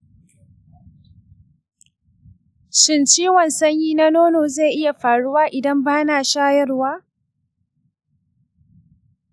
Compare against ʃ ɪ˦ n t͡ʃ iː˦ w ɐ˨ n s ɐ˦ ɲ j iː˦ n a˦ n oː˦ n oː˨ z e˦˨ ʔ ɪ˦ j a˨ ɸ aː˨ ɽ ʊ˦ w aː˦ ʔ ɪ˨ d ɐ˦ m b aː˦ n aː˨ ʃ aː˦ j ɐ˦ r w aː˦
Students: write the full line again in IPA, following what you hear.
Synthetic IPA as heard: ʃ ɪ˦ n t͡ʃ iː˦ w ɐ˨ n s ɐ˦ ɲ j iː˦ n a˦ n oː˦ n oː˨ z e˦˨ ʔ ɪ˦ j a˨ ɸ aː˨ ɽ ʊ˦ w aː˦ ʔ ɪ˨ d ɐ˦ m b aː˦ n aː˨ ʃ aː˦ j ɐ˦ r w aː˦